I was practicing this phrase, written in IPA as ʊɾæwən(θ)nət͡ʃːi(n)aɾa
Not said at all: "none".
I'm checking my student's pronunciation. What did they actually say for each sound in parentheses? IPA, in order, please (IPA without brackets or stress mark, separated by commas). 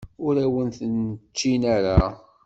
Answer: θ, n